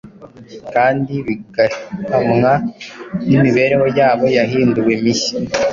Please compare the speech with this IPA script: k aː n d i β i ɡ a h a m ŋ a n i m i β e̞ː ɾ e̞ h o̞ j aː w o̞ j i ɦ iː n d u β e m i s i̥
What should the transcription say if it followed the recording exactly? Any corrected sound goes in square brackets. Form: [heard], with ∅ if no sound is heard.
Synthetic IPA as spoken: k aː n d i β i ɡ a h a m ŋ a n i m i β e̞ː ɾ e̞ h o̞ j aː [β] o̞ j [a] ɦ iː n d u [w] e m i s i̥